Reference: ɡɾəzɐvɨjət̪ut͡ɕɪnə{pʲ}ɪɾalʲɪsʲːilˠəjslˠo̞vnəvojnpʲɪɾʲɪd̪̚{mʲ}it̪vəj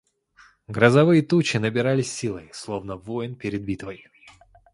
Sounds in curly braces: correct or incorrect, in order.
incorrect, incorrect

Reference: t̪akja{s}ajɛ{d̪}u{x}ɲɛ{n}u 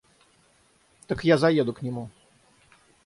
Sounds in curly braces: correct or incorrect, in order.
incorrect, correct, incorrect, incorrect

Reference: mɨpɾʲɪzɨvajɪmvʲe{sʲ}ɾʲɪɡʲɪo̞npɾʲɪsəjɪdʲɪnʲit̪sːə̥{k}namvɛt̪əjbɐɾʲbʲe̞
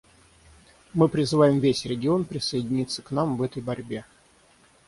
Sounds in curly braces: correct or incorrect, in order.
correct, correct

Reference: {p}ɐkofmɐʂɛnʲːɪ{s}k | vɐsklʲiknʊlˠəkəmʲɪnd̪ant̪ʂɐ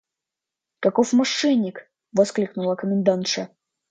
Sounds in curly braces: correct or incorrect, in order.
incorrect, incorrect

